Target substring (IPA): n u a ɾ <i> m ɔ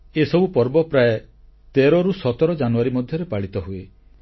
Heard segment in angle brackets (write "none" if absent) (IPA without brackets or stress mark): i